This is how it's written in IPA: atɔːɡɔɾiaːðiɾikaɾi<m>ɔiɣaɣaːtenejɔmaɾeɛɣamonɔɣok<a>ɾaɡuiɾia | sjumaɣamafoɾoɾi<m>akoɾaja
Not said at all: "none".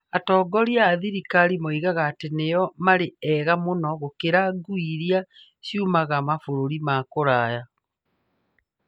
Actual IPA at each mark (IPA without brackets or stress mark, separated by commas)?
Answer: m, e, m